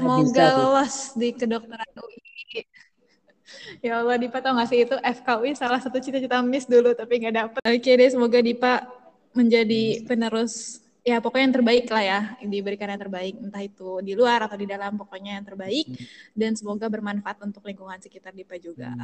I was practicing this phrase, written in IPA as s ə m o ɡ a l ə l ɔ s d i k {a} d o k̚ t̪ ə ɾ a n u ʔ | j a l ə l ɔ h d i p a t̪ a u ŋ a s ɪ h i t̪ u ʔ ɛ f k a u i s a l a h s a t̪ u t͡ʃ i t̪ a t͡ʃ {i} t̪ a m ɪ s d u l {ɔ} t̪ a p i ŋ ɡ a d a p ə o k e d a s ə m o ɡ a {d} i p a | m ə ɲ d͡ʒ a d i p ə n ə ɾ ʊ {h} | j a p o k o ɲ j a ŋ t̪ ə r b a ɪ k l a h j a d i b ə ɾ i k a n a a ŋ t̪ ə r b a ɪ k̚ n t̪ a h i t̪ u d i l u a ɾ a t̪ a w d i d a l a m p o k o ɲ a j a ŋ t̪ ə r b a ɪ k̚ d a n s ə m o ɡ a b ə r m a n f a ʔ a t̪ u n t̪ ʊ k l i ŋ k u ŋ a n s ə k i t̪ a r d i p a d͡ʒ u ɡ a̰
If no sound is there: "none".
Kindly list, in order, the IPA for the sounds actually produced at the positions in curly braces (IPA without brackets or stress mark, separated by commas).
ə, i, u, d, s